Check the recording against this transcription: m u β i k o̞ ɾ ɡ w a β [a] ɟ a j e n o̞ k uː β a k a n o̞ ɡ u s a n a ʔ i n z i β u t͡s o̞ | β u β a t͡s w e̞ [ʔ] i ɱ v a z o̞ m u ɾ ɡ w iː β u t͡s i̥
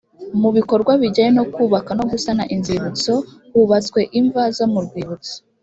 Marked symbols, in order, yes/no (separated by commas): no, yes